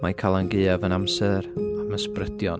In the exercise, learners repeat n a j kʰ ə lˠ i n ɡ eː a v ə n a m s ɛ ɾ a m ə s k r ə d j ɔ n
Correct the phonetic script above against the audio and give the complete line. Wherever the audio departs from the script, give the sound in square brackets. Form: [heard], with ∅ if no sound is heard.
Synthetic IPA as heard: [m] a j kʰ [a] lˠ [a] n ɡ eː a v ə n a m s ɛ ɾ a m ə s [p] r ə d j ɔ n